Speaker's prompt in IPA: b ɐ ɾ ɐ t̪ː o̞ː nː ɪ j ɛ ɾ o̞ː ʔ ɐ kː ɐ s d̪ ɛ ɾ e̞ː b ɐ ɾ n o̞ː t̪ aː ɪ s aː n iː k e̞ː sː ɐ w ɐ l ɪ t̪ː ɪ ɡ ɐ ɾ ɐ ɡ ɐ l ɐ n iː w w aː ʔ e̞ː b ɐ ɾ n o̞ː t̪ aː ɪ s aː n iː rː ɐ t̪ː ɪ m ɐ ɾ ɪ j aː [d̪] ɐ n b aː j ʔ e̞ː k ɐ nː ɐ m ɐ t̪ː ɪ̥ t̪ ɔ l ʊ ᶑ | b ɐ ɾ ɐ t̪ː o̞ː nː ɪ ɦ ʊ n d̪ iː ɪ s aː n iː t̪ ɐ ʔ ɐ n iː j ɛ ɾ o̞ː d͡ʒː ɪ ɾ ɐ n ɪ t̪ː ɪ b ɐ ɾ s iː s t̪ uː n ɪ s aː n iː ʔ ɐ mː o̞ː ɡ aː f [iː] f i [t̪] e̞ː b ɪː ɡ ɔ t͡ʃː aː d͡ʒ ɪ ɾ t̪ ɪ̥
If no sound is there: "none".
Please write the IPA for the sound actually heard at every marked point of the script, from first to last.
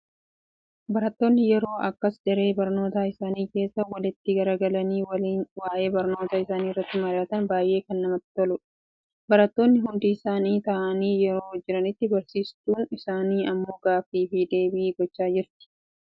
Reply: t̪, iː, d̪

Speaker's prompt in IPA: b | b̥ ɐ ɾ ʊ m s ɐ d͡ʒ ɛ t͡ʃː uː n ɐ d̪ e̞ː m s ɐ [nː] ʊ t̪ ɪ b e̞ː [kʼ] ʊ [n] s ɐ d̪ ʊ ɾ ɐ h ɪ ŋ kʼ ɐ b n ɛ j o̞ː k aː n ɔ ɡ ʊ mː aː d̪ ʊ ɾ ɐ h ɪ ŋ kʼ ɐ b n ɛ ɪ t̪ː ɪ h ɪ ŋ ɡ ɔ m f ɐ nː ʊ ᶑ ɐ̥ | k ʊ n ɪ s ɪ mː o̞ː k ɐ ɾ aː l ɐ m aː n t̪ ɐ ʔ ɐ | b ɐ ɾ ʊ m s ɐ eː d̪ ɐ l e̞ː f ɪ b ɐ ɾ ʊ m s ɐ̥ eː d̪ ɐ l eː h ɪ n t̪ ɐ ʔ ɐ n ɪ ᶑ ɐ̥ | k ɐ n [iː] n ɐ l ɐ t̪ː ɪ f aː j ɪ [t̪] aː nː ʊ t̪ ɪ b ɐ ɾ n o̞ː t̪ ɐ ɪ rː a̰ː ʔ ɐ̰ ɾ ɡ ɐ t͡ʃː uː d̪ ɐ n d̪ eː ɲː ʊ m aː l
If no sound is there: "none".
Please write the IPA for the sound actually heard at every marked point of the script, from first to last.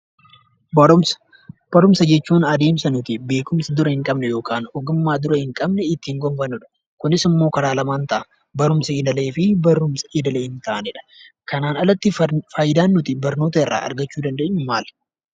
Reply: n, k, m, aː, d̪

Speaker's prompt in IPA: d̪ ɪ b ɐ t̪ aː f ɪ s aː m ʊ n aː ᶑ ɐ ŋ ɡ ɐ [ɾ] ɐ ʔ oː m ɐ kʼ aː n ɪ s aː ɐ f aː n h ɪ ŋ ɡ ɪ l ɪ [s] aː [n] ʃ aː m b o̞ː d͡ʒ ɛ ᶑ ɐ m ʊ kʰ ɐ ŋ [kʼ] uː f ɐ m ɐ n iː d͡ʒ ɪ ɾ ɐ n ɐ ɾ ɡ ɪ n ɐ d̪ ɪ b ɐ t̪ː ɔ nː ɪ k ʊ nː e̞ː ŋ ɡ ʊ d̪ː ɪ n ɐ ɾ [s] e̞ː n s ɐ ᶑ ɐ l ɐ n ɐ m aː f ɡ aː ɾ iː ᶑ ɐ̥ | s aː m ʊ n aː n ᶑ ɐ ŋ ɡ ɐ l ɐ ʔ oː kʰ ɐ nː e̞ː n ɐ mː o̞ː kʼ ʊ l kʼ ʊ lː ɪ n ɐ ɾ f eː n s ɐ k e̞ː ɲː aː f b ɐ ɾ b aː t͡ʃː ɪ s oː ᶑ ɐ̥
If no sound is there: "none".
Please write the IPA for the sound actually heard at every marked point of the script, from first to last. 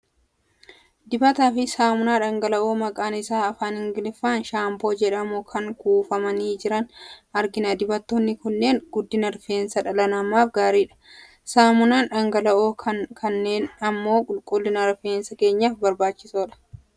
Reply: l, f, n, k, f

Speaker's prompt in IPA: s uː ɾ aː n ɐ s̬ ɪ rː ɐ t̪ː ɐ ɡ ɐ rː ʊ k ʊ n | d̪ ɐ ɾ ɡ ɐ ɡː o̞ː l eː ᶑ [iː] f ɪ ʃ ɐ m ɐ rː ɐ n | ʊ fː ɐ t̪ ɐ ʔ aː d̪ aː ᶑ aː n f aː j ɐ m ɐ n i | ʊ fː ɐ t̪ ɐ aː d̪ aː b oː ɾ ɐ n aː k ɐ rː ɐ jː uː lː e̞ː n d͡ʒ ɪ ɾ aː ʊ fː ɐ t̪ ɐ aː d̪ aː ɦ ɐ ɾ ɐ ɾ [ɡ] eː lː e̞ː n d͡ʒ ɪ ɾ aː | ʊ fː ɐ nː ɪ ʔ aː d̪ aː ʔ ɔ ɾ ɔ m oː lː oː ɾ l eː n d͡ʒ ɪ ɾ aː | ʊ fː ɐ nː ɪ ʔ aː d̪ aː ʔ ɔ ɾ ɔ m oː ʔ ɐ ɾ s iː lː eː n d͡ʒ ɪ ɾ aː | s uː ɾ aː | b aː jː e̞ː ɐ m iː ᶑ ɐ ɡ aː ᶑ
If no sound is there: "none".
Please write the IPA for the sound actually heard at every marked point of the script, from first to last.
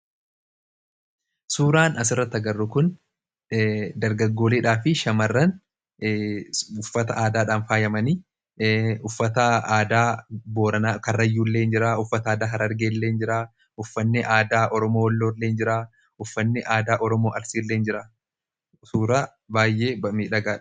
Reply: aː, ɡ

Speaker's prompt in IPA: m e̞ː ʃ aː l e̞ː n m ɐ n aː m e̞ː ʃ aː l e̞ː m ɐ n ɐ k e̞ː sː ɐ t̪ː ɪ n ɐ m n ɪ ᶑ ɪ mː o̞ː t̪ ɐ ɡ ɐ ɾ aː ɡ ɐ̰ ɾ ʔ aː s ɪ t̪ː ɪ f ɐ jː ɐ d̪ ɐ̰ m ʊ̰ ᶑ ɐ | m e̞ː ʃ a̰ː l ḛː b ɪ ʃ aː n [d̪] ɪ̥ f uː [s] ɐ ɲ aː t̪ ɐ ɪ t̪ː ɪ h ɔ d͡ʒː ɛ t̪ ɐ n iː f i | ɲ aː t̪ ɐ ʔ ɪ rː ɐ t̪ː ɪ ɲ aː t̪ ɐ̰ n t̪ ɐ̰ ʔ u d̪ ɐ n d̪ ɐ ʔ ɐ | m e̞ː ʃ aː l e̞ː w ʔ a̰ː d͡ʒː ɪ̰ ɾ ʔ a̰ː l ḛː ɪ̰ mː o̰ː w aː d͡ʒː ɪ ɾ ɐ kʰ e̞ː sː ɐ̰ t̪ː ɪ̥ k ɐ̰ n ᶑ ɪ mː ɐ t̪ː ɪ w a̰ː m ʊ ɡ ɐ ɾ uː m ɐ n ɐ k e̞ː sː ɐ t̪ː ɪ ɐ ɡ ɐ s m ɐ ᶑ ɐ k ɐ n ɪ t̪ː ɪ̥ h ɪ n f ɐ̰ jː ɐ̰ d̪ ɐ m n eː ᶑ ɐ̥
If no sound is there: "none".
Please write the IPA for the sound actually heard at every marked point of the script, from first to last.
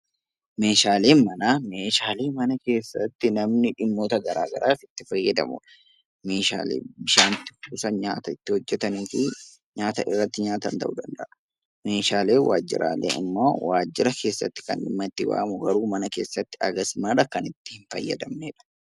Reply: t̪, s

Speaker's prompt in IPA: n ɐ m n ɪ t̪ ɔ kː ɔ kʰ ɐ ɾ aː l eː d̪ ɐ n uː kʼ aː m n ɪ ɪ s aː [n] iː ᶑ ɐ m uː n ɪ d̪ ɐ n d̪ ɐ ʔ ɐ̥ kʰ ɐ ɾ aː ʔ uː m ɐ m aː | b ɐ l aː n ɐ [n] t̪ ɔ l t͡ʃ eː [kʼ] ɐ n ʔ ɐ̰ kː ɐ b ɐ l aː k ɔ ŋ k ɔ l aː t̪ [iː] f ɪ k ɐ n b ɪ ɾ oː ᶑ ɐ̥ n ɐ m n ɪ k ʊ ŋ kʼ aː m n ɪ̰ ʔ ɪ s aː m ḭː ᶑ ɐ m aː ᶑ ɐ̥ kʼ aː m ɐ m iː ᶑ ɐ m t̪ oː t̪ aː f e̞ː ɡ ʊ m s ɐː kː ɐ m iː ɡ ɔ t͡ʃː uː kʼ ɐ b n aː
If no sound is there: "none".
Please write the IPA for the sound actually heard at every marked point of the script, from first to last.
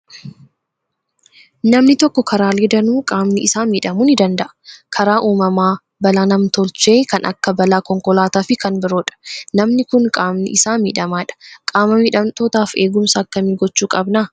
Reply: m, m, k, aː

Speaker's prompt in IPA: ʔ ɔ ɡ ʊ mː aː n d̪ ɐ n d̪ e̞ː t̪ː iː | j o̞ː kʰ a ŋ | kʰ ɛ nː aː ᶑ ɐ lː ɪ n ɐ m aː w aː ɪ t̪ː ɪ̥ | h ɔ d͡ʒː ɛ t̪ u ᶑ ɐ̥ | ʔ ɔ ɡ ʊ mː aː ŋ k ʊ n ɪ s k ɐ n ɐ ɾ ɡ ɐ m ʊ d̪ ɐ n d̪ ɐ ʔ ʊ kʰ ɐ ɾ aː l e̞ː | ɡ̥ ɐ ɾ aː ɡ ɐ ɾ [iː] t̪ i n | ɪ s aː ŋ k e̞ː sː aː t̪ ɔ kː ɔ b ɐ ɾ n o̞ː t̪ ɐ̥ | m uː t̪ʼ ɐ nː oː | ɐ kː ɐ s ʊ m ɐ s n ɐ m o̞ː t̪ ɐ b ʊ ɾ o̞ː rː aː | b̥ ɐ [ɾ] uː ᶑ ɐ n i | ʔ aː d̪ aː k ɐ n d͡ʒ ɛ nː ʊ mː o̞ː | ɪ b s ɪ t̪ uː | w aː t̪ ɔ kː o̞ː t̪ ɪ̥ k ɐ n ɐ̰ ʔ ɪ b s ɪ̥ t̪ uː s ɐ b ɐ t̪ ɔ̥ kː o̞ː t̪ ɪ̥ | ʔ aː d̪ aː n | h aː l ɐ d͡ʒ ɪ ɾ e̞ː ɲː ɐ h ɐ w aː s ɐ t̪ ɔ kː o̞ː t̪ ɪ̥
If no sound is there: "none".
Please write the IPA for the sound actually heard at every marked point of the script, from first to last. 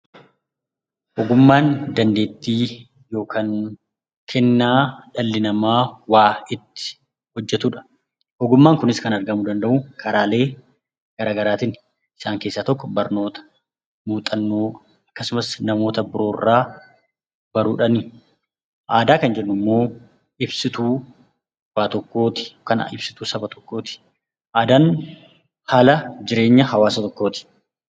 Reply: aː, ɾ

